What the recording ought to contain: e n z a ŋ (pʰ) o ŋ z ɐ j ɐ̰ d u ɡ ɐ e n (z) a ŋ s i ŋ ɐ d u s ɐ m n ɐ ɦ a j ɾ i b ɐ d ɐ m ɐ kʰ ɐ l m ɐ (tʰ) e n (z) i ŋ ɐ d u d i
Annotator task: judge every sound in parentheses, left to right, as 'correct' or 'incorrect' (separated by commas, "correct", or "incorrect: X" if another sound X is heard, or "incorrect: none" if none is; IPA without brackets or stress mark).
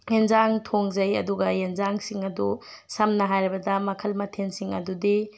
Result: incorrect: tʰ, correct, correct, incorrect: s